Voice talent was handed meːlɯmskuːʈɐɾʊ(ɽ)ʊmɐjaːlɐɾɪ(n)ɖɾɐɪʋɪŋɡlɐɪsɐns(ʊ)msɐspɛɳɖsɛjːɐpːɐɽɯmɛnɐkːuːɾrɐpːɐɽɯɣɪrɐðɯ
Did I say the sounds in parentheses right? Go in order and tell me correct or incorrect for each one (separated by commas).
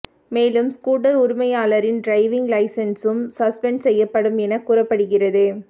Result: incorrect, correct, incorrect